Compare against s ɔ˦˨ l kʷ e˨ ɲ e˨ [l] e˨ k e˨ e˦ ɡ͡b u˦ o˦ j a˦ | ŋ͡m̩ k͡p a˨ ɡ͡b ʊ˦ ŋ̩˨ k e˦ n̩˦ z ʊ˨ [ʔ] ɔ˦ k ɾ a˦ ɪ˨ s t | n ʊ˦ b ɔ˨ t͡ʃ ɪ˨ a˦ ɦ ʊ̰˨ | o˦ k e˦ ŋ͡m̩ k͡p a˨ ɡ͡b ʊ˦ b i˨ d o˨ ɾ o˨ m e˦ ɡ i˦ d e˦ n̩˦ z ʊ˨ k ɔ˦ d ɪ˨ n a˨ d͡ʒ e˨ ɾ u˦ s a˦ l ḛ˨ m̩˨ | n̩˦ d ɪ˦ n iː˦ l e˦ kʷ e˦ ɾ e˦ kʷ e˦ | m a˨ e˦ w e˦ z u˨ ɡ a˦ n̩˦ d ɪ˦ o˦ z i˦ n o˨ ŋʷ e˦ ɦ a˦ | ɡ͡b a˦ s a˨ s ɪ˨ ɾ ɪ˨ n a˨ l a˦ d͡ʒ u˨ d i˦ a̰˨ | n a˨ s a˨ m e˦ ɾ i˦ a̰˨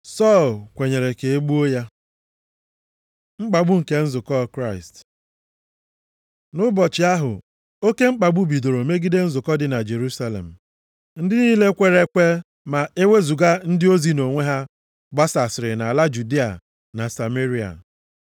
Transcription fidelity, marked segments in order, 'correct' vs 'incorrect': incorrect, incorrect

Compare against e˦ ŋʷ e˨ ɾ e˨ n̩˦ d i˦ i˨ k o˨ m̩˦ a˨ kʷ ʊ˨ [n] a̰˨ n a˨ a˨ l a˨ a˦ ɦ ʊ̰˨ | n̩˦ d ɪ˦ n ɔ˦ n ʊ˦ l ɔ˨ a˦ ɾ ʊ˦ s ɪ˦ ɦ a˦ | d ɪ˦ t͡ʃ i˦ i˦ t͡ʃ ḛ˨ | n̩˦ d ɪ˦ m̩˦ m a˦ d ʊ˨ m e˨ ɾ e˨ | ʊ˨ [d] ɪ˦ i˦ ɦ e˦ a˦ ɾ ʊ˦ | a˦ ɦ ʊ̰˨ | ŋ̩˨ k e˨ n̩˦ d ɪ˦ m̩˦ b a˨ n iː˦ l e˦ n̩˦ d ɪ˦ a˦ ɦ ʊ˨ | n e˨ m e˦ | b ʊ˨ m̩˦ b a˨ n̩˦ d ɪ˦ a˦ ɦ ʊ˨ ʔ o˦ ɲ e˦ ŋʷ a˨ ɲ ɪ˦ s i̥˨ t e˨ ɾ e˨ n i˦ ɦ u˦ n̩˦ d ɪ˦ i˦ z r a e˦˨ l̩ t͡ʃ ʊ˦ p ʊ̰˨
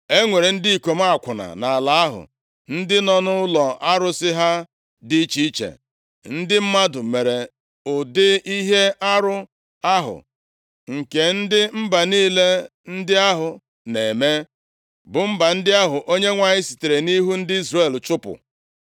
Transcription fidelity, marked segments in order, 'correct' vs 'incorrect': correct, correct

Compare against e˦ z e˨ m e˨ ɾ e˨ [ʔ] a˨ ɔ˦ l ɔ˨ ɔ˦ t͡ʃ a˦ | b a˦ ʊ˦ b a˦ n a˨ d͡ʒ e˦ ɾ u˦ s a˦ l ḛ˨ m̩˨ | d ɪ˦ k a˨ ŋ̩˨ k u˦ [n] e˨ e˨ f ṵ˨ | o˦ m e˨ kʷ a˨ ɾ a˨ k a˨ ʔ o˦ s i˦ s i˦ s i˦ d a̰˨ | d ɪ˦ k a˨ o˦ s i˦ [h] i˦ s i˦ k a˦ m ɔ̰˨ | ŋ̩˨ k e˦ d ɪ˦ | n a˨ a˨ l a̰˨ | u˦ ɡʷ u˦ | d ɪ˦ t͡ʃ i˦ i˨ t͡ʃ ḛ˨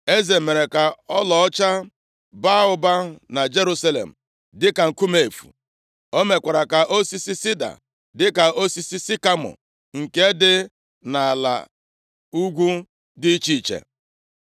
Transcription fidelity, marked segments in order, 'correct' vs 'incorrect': incorrect, incorrect, incorrect

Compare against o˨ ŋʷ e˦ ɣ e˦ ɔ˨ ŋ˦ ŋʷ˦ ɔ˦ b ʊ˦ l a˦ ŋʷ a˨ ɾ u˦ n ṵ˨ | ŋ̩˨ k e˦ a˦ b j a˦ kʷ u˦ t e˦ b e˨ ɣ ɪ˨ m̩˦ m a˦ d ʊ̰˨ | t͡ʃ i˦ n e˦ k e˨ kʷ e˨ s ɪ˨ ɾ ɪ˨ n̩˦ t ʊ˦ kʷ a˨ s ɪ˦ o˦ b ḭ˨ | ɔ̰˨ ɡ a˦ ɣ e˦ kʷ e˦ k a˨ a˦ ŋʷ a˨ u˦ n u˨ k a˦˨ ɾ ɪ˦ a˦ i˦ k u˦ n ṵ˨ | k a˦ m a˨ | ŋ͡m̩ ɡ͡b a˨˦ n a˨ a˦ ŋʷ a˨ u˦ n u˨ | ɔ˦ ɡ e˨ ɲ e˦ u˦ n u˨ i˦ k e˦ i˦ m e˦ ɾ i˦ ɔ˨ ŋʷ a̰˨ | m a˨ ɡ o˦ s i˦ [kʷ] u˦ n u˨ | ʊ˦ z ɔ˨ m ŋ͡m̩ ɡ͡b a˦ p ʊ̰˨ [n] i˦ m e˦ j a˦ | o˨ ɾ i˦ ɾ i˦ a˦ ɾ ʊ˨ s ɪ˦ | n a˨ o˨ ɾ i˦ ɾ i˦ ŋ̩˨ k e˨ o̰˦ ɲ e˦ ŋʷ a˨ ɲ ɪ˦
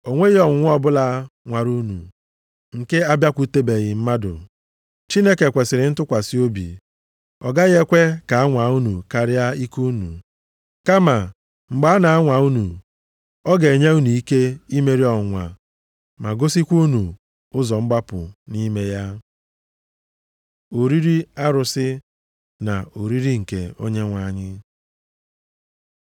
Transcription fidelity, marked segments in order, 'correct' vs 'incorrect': correct, correct

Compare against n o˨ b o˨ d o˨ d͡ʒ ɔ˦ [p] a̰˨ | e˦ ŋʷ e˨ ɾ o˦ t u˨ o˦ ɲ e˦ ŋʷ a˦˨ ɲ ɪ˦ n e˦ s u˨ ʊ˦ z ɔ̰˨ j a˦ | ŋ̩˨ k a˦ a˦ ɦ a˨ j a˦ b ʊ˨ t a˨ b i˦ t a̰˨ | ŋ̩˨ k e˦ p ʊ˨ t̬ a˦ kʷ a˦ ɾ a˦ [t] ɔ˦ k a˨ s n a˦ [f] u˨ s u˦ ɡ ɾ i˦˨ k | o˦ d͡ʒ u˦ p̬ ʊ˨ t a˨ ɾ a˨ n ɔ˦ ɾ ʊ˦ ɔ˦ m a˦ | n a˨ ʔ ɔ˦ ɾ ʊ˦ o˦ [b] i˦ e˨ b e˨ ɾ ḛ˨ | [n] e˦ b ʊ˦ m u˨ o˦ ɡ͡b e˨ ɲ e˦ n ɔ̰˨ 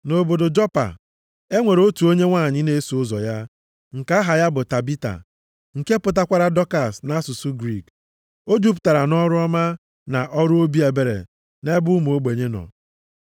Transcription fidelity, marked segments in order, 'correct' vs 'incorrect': correct, incorrect, incorrect, correct, correct

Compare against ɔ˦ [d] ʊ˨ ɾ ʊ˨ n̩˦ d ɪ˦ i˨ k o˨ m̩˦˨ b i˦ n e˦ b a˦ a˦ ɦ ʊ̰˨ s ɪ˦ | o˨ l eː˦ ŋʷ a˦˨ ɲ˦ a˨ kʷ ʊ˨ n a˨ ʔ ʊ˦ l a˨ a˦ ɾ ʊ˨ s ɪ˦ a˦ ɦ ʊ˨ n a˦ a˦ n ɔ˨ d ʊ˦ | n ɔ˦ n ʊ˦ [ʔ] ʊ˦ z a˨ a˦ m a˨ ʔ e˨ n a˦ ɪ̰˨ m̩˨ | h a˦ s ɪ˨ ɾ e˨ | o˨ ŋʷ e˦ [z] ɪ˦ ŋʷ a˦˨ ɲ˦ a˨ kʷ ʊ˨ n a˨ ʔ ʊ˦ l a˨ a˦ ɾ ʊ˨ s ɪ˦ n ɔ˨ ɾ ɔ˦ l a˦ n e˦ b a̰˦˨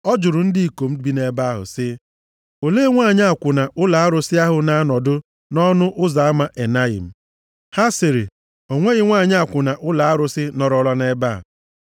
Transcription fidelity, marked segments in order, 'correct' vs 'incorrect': incorrect, correct, incorrect

